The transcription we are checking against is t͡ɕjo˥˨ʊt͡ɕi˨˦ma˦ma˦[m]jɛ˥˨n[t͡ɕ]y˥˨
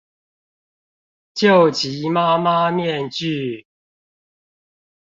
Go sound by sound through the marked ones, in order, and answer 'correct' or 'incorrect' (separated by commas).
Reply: correct, correct